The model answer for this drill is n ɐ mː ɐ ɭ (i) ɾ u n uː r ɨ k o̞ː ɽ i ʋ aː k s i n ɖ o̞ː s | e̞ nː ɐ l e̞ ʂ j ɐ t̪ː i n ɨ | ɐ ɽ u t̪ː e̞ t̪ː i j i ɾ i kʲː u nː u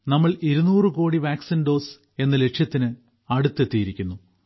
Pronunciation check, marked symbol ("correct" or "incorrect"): correct